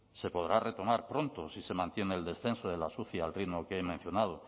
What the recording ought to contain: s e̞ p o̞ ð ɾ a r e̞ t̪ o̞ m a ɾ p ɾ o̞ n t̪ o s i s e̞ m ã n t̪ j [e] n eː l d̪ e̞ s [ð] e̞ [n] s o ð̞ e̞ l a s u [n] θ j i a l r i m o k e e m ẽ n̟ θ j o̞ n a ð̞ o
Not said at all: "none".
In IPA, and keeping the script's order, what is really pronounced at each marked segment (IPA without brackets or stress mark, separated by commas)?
e, θ, n, none